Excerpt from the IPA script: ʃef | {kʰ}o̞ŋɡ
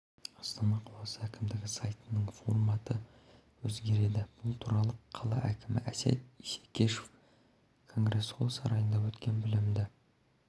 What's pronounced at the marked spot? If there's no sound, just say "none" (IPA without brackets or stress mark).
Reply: kʰ